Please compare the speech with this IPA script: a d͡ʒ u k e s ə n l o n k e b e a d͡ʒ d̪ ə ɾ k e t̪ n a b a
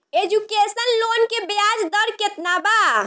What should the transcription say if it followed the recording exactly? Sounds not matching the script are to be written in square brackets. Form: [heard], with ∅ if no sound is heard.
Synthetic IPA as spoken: [e] d͡ʒ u k e s ə n l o n k e b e a d͡ʒ d̪ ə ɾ k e t̪ n a b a

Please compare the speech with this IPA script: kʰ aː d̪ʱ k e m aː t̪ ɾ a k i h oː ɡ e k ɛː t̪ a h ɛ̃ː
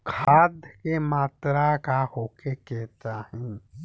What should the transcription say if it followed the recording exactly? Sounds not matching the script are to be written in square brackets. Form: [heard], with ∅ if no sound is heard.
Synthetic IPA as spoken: kʰ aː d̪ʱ k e m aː t̪ ɾ a k [a] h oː [k] e k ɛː t̪ a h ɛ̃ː

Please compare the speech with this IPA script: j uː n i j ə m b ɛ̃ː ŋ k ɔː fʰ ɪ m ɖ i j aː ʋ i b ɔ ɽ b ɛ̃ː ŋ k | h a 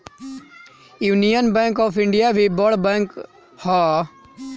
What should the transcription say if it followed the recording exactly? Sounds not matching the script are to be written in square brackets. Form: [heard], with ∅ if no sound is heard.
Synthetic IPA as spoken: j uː n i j ə [n] b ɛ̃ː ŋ k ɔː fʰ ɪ [ɳ] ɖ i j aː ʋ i b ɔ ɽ b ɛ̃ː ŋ k | h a

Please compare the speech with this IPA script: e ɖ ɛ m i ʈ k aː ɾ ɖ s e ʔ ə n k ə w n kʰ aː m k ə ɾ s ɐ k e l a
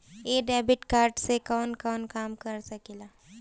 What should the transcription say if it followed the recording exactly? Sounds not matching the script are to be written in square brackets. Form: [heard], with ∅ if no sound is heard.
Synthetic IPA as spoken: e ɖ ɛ [b] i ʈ k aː ɾ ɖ s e [k] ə n k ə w n [k] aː m k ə ɾ s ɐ k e l a

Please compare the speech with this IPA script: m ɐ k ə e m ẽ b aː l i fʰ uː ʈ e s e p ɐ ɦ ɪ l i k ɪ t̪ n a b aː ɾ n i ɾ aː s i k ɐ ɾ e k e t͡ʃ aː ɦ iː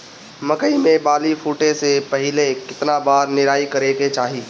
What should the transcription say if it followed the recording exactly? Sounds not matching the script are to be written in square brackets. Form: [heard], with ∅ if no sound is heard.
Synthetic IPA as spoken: m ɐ k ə [i] m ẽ b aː l i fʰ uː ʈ e s e p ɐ ɦ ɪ l [e] k ɪ t̪ n a b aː ɾ n [ɪ] ɾ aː [∅] i k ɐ ɾ e k e t͡ʃ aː ɦ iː

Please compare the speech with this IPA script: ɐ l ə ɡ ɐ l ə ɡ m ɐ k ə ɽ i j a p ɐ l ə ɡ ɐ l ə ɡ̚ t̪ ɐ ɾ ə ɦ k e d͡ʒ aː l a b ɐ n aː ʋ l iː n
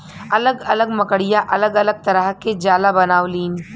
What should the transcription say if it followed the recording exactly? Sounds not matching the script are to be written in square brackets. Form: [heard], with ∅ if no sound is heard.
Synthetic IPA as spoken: ɐ l ə ɡ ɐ l ə ɡ m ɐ k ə ɽ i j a [ʔ] ɐ l ə ɡ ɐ l ə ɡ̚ t̪ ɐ ɾ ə ɦ k e d͡ʒ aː l a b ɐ n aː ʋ l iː n

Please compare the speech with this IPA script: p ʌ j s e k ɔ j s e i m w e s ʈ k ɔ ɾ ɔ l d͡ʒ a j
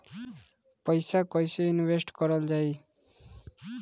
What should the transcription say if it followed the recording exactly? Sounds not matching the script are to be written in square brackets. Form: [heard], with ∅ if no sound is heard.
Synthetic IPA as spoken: p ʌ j s [a] k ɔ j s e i [n] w e s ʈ k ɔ ɾ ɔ l d͡ʒ a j

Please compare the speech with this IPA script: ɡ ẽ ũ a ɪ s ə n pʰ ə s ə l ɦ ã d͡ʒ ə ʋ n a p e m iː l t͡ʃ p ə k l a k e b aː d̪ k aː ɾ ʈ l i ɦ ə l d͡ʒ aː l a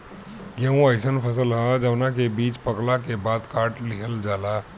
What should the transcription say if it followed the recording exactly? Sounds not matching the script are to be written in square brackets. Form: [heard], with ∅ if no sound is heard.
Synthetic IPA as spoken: ɡ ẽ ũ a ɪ s ə n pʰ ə s ə l ɦ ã d͡ʒ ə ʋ n a [k] e [b] iː [∅] t͡ʃ p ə k l a k e b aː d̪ k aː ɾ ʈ l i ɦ ə l d͡ʒ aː l a

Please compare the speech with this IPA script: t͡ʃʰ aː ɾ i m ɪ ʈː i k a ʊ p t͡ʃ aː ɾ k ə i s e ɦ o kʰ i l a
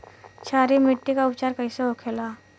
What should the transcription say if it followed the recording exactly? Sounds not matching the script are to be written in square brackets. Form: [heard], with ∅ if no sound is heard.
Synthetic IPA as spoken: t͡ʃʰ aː ɾ i m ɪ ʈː i k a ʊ p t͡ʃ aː ɾ k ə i s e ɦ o kʰ [e] l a

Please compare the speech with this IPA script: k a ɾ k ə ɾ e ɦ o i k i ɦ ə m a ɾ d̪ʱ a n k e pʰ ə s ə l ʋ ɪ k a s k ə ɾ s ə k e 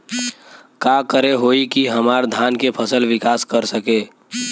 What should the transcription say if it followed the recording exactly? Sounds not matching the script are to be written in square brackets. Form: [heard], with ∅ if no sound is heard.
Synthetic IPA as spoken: k a [∅] k ə ɾ e ɦ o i k i ɦ ə m a ɾ d̪ʱ a n k e pʰ ə s ə l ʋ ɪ k a s k ə ɾ s ə k e

